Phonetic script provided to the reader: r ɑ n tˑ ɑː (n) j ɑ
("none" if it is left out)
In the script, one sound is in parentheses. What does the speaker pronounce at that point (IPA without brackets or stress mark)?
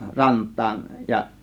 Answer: n